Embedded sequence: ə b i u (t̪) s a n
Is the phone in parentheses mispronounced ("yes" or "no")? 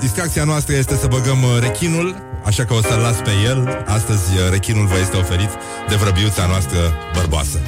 no